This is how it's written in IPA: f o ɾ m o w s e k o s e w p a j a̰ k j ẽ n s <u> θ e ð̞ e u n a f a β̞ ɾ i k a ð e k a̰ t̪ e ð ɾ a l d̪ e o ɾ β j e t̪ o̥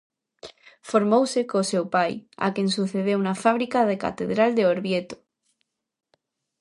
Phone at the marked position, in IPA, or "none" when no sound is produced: u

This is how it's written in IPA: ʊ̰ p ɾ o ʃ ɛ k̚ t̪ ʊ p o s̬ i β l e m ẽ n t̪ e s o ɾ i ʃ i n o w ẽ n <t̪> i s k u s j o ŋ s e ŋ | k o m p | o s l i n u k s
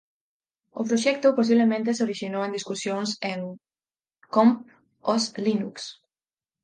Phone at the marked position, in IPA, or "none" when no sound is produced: d̪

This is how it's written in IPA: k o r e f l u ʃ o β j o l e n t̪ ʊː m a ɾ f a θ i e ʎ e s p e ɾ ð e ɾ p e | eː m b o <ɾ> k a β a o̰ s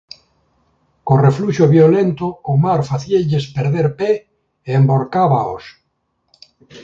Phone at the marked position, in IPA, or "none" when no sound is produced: ɾ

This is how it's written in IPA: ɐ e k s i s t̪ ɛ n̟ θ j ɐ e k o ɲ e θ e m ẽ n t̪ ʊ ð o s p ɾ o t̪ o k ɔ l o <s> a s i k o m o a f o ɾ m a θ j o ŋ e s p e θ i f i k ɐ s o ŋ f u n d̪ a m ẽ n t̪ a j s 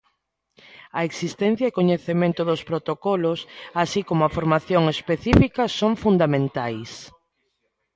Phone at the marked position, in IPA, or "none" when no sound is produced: s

